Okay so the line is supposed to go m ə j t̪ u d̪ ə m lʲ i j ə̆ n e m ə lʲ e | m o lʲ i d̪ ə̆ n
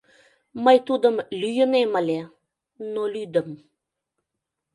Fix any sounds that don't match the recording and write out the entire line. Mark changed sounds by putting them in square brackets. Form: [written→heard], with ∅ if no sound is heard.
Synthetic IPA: m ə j t̪ u d̪ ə m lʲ [i→y] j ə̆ n e m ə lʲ e | [m→n] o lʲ [i→y] d̪ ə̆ [n→m]